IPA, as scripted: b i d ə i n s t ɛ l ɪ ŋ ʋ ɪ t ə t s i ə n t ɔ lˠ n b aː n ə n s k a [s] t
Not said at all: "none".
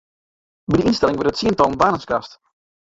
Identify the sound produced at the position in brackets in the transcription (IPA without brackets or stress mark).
s